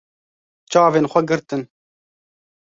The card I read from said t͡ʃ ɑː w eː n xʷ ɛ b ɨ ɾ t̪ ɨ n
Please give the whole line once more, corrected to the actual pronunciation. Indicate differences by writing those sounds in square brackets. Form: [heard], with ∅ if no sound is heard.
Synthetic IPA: t͡ʃ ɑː [v] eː n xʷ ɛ [ɡ] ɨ ɾ t̪ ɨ n